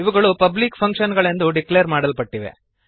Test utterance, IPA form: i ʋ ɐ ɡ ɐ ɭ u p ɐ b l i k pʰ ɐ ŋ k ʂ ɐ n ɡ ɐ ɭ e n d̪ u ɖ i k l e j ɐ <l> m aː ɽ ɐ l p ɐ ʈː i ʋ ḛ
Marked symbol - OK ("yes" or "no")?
no